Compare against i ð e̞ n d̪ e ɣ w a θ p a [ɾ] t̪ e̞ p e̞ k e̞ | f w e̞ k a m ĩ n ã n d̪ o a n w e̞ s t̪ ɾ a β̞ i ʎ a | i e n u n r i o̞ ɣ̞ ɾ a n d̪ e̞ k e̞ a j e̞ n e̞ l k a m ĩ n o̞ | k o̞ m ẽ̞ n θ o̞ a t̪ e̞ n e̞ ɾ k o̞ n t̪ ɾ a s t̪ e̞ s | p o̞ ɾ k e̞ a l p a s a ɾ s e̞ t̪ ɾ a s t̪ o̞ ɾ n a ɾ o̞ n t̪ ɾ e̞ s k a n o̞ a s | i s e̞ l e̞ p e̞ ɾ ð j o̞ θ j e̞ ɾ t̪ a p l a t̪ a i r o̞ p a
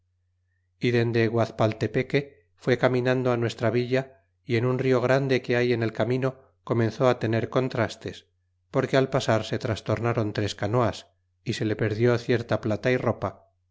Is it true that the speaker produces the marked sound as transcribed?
no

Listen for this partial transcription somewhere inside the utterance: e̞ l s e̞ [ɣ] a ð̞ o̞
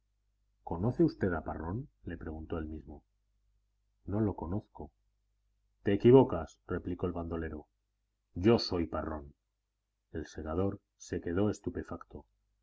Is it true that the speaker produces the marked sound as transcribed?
yes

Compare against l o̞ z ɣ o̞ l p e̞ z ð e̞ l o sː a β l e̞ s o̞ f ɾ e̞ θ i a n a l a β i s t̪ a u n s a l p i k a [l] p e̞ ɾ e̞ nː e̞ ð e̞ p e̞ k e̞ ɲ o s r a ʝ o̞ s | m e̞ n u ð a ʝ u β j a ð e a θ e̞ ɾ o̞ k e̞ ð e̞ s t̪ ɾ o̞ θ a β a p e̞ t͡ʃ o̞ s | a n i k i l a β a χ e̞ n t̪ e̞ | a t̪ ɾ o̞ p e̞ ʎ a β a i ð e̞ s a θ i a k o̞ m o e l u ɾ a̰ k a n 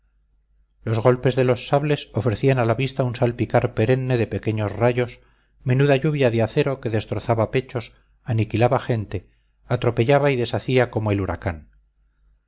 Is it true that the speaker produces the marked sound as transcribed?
no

